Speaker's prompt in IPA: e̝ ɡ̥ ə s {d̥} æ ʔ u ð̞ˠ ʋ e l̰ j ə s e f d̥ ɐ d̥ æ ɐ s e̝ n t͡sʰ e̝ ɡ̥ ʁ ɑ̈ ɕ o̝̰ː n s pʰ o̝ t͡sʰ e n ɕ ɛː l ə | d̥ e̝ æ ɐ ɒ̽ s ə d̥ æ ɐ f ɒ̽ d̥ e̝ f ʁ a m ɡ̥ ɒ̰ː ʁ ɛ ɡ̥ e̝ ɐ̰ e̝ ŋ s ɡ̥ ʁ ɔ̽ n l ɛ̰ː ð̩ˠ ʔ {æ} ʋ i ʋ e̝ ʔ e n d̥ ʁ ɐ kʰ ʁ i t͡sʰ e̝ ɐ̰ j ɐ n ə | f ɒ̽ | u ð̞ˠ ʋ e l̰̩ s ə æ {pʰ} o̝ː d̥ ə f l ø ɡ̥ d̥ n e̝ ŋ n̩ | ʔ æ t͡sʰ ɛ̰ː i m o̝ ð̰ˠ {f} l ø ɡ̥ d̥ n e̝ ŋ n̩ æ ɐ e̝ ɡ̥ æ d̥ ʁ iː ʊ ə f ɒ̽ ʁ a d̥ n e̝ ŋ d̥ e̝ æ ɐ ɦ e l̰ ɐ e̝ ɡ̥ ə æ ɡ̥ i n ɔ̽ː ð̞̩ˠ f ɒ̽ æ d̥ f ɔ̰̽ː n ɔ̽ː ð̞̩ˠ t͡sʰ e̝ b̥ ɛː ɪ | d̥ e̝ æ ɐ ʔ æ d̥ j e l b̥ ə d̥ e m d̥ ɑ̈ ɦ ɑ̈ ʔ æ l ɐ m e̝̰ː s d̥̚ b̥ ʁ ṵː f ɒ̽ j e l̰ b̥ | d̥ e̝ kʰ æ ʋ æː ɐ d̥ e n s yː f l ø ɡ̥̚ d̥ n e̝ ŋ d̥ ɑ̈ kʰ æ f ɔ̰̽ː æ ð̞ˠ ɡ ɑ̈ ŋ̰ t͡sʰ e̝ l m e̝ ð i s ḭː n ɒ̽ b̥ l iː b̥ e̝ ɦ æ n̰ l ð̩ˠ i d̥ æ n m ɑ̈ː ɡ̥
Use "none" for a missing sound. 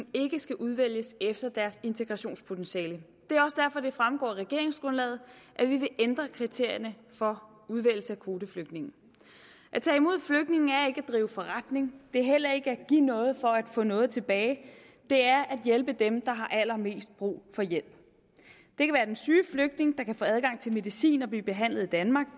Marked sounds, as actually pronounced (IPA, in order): ɡ̥, æ, kʰ, f

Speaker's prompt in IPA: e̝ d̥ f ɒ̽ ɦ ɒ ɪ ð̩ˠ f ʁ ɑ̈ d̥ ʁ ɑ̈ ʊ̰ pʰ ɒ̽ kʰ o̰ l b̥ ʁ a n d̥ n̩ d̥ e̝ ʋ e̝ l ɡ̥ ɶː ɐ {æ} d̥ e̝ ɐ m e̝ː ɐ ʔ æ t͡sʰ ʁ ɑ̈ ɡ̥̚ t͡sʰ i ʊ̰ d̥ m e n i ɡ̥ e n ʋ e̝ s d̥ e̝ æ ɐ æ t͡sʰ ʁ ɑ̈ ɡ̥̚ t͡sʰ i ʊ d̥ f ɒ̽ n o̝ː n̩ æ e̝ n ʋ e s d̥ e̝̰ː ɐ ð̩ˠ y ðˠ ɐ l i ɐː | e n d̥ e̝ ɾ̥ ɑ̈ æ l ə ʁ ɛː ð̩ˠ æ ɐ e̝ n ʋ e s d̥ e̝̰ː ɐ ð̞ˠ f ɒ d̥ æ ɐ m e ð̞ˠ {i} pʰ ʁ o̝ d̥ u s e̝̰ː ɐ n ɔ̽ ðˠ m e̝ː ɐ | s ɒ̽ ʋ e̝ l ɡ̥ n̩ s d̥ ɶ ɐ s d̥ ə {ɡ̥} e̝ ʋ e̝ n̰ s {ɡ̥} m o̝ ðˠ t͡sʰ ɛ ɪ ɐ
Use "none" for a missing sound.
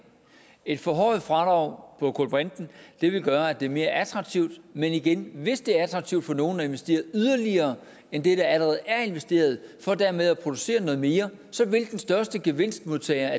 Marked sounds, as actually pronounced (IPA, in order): æ, æ, ɡ̥, d̥

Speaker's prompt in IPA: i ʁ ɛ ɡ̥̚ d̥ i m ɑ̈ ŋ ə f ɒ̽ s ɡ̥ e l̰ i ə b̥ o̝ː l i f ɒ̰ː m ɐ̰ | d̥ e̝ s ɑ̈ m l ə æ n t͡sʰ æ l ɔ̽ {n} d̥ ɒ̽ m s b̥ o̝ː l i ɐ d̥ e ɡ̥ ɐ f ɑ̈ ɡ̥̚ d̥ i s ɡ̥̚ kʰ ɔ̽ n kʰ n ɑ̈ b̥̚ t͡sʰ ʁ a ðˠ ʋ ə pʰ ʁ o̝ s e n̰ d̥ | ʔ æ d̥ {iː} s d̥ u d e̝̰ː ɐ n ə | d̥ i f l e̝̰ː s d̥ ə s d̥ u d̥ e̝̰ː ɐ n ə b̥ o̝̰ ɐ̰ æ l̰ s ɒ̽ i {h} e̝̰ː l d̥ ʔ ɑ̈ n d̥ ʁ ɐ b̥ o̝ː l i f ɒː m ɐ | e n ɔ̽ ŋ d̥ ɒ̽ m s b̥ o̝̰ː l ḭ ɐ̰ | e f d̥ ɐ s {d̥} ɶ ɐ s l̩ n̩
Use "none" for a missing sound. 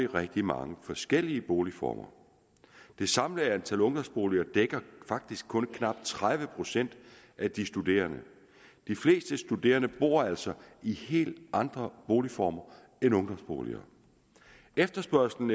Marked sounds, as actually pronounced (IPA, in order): ŋ, i, h, b̥

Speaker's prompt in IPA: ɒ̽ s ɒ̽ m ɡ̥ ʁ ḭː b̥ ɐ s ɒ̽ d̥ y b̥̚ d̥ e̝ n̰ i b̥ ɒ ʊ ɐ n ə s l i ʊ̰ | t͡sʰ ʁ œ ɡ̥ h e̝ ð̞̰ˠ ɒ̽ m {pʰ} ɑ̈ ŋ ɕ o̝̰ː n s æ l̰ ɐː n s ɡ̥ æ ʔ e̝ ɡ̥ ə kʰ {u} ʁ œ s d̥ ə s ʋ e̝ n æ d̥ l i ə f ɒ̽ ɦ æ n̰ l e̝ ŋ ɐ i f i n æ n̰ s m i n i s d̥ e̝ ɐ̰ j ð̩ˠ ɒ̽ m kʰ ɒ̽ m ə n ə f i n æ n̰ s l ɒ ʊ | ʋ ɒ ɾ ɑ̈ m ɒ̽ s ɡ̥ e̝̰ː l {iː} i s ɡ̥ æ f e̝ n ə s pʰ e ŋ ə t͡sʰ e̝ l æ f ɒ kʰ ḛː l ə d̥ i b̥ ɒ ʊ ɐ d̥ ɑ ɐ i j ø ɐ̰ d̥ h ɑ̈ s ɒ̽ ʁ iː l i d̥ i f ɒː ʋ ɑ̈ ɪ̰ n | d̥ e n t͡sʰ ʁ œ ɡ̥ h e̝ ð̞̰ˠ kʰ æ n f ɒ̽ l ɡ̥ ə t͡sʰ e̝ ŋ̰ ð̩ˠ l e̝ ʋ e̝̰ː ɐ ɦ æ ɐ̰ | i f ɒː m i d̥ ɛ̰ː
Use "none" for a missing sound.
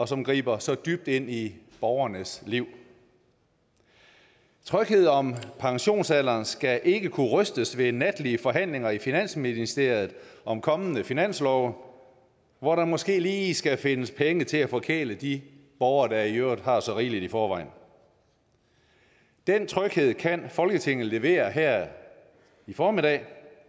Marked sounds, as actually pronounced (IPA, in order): pʰ, u, iː

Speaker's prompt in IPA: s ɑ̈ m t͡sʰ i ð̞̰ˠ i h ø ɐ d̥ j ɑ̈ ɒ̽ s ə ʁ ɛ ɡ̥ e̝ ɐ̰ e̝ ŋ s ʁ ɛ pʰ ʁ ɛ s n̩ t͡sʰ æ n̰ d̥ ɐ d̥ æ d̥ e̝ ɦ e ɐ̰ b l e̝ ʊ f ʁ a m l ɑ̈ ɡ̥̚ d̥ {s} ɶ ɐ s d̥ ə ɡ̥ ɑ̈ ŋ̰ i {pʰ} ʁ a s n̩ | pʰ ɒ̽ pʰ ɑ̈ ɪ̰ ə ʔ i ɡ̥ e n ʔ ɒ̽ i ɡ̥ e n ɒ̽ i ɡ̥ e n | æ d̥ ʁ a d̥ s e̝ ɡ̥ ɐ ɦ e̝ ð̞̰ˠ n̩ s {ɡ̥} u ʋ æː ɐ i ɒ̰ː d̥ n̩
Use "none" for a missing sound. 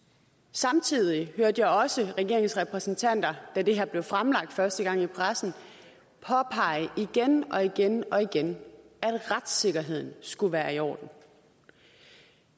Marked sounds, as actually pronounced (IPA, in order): f, pʰ, ɡ̥

